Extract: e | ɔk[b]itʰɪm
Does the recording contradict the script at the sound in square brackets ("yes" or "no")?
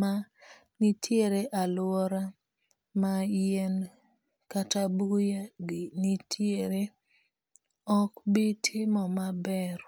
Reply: no